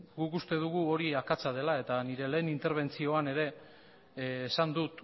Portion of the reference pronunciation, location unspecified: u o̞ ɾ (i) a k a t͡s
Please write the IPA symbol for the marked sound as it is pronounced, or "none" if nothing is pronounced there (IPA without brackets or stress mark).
i